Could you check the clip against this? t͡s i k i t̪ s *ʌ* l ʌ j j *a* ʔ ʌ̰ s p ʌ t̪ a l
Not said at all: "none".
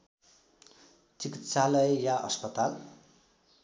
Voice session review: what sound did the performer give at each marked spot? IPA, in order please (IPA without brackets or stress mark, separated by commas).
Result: a, a